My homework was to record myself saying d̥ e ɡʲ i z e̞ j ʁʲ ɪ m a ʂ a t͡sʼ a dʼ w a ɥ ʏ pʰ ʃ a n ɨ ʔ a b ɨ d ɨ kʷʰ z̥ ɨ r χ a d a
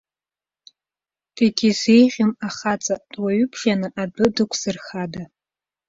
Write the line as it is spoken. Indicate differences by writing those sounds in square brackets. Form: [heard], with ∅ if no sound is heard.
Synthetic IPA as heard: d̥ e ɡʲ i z e̞ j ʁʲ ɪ m a [χ] a t͡sʼ a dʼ w a ɥ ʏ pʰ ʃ a n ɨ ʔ a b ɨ d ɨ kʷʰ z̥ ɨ r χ a d a